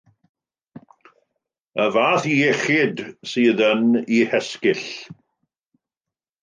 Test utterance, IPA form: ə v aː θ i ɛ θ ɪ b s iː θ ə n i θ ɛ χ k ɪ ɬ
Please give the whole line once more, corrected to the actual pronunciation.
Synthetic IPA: ə v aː θ i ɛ χ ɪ d s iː ð ə n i h ɛ s k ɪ ɬ